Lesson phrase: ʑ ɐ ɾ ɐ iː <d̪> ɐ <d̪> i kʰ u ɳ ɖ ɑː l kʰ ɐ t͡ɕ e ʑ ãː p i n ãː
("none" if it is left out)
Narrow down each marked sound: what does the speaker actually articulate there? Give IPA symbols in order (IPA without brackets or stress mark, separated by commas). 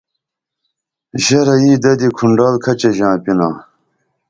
d̪, d̪